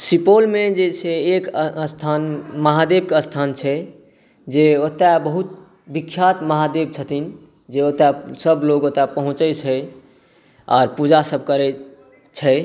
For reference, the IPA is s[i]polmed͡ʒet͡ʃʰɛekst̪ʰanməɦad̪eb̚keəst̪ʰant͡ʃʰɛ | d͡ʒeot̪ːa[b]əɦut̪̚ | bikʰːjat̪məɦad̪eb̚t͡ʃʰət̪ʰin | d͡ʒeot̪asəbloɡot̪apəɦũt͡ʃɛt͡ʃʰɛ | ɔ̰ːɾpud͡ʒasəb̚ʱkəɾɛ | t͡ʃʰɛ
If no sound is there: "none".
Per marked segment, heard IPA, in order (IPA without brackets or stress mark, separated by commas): i, b